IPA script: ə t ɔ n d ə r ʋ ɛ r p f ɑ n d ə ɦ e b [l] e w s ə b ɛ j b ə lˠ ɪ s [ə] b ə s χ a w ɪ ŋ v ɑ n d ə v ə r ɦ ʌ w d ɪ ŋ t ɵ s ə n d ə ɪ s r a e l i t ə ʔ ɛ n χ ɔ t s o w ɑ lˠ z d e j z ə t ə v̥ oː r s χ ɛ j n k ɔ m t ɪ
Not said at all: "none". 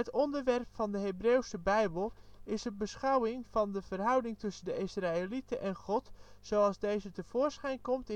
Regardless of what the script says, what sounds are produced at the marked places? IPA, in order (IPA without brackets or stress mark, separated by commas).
r, ə